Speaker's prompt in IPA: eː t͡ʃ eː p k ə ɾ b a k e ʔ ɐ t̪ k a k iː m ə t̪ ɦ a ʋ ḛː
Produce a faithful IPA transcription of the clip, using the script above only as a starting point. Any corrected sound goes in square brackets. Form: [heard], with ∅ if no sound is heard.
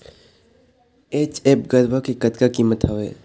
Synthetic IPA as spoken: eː t͡ʃ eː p [ɡ] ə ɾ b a k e [k] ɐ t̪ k a k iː m ə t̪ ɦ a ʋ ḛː